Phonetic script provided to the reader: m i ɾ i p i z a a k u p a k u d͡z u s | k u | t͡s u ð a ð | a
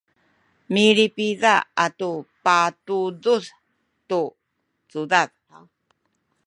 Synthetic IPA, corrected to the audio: m i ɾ i p i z a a t u p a t u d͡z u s | t u | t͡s u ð a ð | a